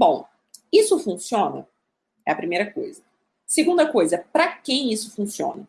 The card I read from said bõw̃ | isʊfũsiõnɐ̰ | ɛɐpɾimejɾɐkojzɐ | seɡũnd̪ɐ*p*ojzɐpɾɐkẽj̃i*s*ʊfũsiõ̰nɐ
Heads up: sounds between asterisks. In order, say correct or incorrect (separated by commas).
incorrect, correct